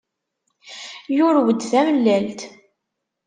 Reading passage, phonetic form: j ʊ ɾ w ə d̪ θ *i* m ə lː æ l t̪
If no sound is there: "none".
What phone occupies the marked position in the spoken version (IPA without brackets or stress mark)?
æ